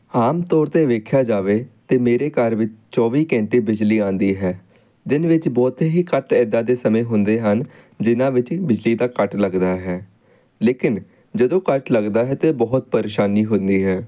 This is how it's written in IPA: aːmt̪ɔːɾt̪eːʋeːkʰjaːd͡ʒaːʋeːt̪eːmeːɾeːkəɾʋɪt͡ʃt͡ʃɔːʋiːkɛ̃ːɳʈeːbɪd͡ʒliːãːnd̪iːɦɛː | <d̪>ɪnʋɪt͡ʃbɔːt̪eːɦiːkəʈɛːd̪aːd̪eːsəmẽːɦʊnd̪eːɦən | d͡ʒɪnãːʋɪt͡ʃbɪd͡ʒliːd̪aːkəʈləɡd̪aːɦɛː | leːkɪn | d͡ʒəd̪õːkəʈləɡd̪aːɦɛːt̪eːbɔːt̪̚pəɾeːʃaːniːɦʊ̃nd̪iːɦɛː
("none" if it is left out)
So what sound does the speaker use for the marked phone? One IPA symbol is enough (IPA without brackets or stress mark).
d̪